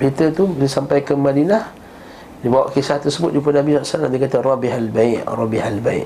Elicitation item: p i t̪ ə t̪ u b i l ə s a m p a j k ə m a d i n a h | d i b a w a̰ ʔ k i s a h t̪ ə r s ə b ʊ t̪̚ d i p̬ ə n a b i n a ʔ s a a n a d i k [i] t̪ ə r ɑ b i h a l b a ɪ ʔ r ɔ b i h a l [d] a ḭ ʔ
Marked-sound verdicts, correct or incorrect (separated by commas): incorrect, incorrect